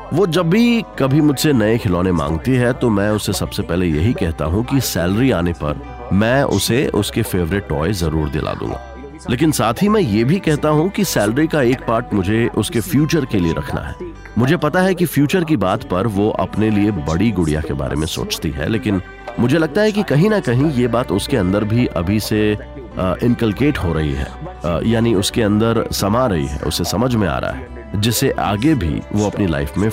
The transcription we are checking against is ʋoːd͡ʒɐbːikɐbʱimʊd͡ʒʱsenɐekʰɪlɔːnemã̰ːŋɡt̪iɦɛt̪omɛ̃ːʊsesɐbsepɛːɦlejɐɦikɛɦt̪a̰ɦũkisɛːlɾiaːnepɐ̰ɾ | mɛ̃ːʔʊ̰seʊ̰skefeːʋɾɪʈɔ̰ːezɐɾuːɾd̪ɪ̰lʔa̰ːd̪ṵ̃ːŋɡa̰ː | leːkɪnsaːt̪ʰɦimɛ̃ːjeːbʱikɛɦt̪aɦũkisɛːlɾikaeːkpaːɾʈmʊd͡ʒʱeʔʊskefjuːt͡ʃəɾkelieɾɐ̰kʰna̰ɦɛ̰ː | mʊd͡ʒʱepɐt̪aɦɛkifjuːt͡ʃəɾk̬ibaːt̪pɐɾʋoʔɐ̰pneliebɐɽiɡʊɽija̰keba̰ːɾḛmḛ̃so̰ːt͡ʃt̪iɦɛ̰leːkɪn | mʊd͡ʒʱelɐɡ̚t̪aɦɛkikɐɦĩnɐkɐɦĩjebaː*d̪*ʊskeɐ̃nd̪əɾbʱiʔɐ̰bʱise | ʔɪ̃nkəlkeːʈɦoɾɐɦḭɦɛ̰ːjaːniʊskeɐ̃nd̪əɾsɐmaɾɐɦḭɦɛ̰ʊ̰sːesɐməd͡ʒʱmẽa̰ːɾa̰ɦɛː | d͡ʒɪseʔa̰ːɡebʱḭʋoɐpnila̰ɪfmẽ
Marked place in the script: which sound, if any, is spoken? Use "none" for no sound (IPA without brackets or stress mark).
t̪